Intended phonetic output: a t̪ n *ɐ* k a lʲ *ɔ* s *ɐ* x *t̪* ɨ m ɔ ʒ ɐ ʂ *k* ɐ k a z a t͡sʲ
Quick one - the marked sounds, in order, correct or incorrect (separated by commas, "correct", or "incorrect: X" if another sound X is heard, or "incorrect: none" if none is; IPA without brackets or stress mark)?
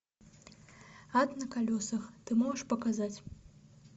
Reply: correct, correct, correct, correct, incorrect: p